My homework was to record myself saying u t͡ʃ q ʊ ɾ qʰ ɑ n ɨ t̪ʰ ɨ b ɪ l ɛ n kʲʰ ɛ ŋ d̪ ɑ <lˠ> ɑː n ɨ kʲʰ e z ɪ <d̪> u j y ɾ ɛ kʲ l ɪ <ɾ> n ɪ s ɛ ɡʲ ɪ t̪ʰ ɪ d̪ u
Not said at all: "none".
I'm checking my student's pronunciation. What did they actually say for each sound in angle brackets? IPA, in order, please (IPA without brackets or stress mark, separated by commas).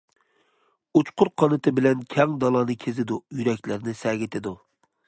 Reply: lˠ, d̪, ɾ